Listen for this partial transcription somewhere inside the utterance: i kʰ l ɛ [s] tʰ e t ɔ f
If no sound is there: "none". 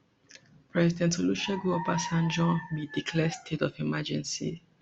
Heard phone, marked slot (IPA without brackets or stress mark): s